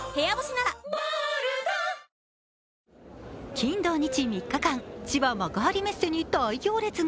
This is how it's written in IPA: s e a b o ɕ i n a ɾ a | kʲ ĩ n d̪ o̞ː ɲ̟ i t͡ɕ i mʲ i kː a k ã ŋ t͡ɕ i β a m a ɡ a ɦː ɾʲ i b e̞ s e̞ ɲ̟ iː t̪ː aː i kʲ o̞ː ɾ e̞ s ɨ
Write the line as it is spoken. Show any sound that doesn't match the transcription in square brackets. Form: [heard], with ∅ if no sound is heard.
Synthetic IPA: [h] e a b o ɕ i n a ɾ a | kʲ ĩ n d̪ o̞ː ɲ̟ i t͡ɕ i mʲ i kː a k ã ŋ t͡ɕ i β a m a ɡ a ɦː ɾʲ i [m] e̞ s e̞ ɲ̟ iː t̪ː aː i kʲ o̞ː ɾ e̞ [t͡s] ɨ